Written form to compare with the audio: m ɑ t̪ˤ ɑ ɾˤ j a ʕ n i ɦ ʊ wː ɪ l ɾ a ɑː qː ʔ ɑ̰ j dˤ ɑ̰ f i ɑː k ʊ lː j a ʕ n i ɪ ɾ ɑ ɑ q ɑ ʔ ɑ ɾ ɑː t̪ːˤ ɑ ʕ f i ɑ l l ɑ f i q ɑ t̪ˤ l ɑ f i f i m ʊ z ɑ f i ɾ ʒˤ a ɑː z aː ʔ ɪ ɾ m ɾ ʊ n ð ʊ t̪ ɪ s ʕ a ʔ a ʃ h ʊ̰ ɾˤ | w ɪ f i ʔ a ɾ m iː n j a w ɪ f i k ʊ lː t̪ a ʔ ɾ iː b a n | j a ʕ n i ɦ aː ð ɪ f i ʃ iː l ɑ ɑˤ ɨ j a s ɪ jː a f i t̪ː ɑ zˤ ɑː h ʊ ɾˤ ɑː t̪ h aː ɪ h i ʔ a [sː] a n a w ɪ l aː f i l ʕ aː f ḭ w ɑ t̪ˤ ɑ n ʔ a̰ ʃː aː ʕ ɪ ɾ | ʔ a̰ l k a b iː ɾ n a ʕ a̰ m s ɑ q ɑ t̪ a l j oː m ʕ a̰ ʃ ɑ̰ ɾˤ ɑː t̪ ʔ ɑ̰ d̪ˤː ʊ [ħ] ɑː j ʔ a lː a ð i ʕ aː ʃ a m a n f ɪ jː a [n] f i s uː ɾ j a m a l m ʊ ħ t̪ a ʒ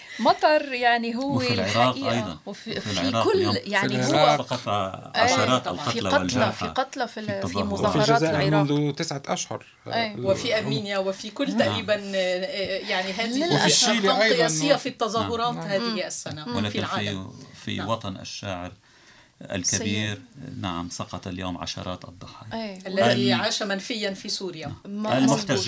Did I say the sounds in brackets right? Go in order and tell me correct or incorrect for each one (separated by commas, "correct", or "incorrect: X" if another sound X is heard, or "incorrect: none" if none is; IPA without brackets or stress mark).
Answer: correct, correct, correct